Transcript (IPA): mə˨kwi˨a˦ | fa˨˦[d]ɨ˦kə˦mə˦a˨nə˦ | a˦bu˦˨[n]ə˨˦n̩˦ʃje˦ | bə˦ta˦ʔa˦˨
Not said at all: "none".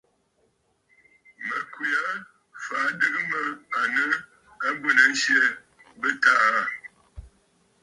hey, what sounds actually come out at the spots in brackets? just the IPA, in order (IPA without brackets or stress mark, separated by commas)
d, n